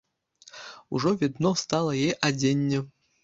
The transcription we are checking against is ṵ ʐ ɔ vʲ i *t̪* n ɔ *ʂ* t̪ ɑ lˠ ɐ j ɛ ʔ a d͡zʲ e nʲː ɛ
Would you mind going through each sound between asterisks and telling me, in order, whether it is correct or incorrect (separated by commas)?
incorrect, incorrect